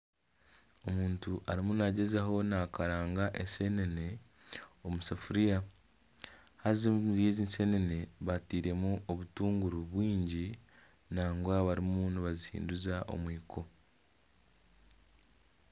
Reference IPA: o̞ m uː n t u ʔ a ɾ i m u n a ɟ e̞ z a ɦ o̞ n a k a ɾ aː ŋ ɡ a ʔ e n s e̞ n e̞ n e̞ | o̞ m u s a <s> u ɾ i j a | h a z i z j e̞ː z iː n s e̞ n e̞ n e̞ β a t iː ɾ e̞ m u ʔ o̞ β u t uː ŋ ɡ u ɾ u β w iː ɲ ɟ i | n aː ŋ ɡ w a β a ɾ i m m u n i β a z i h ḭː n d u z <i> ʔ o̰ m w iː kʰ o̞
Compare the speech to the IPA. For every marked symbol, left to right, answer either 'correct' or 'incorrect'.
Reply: incorrect, incorrect

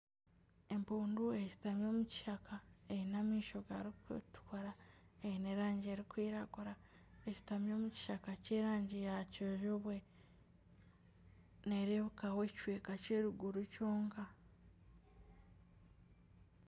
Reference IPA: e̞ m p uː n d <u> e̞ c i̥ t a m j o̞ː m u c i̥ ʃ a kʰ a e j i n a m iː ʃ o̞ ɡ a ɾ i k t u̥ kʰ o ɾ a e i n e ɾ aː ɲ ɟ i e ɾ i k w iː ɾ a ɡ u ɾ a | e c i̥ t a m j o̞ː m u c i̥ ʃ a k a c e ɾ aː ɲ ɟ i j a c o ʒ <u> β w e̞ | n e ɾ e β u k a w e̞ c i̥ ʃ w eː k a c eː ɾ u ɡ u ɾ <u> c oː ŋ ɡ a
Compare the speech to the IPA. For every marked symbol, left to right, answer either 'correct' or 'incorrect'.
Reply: correct, incorrect, correct

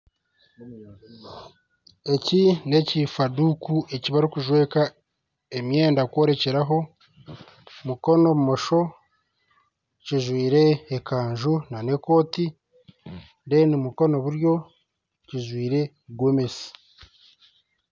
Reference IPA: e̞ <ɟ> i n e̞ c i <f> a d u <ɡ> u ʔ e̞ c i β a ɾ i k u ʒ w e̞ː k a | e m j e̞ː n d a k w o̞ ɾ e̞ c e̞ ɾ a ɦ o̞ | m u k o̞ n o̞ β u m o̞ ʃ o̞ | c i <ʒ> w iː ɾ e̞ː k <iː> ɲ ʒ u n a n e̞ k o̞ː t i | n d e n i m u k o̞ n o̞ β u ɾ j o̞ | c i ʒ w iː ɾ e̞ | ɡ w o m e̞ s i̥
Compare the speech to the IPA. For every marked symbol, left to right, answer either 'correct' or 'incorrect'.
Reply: incorrect, correct, incorrect, correct, incorrect

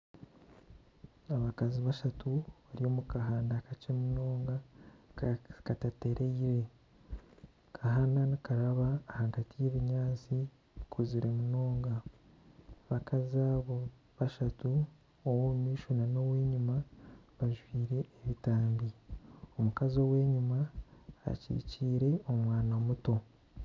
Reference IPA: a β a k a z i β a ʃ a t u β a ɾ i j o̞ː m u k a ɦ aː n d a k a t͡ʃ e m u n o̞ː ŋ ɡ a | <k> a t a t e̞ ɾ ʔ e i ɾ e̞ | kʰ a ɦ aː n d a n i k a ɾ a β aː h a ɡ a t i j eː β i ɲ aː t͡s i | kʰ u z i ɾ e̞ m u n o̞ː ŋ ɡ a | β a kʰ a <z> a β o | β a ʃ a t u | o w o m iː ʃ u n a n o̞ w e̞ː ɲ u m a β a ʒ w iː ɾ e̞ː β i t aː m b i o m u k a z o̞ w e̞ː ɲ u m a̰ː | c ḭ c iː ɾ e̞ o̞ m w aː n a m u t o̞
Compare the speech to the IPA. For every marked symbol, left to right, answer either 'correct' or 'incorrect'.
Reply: correct, correct

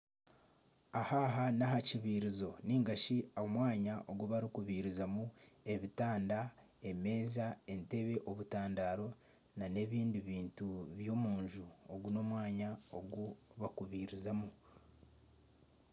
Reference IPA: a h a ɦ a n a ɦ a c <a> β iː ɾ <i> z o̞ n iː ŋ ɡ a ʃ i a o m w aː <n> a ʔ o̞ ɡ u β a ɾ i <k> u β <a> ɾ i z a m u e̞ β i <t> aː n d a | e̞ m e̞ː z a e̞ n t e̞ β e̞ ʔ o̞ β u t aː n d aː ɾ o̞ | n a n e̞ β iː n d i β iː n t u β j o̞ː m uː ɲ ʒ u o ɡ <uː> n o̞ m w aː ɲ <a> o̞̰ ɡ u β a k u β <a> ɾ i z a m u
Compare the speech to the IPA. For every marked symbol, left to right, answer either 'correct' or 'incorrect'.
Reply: incorrect, correct, incorrect, correct, incorrect, correct, incorrect, correct, incorrect

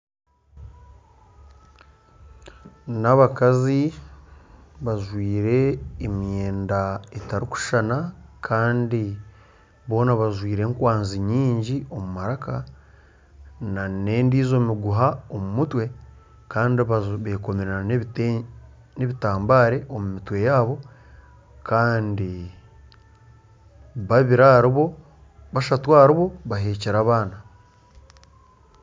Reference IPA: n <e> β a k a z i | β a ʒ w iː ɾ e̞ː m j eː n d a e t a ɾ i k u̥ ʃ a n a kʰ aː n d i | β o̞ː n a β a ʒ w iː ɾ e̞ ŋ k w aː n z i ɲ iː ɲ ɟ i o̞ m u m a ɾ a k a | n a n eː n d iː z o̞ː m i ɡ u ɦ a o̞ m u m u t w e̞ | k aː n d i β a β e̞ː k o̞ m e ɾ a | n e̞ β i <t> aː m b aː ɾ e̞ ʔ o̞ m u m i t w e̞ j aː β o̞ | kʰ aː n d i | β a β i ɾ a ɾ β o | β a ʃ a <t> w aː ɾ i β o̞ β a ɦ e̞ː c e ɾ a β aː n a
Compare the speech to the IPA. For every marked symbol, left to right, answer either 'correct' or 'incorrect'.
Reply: incorrect, correct, correct

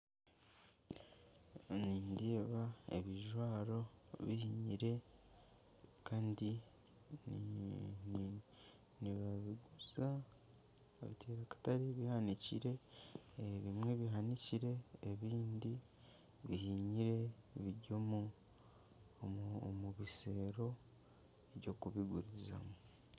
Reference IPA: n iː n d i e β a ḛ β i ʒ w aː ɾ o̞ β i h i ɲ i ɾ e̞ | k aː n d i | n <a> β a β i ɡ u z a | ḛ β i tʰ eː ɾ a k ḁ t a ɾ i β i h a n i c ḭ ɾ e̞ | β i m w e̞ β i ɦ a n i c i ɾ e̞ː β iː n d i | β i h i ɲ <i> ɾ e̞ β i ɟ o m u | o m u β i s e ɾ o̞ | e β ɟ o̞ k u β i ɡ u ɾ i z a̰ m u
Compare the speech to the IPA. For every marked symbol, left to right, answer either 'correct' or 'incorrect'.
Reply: incorrect, correct

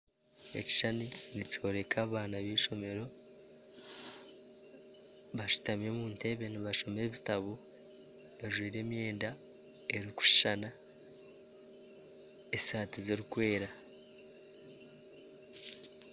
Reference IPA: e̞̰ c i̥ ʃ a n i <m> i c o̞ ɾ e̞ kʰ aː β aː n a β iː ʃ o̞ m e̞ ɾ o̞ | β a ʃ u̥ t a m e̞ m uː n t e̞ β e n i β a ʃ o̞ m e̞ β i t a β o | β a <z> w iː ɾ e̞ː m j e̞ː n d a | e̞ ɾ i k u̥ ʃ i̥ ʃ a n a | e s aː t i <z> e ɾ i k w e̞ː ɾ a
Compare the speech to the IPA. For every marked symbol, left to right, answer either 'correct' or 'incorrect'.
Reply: incorrect, incorrect, correct

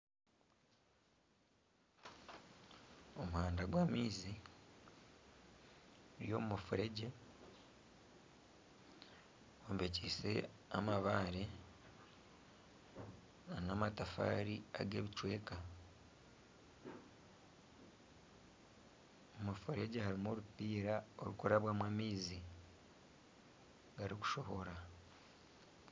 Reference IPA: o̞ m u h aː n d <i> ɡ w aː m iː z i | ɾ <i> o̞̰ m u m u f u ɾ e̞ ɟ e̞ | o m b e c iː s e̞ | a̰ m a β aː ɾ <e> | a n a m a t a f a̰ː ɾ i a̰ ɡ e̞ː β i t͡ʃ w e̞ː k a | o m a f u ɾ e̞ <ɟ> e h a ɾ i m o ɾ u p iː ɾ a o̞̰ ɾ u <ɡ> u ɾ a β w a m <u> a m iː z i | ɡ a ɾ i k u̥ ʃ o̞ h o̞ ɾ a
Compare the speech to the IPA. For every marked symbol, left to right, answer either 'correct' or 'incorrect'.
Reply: incorrect, incorrect, correct, correct, incorrect, incorrect

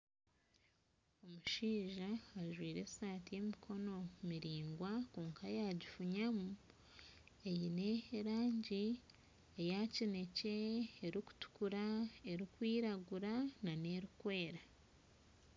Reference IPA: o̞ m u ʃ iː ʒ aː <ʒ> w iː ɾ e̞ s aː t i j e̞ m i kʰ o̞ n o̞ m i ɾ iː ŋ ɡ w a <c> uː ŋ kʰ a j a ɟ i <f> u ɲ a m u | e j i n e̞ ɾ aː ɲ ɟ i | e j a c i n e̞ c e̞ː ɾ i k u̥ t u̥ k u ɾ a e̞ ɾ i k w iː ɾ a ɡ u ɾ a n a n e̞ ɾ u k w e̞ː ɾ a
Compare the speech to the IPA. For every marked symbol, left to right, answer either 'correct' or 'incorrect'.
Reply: correct, incorrect, correct

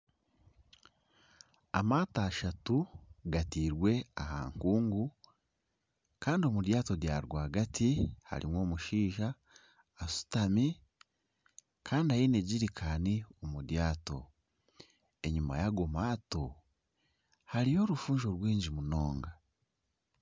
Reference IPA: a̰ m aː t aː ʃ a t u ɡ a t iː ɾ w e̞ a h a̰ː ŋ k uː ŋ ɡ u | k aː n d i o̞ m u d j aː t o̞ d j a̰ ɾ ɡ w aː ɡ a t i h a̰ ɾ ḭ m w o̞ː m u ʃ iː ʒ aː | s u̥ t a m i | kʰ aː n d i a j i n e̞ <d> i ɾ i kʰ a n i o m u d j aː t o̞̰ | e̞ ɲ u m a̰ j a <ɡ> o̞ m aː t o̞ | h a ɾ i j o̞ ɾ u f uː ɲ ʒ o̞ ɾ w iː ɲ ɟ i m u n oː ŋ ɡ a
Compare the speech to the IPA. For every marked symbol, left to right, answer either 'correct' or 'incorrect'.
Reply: incorrect, correct

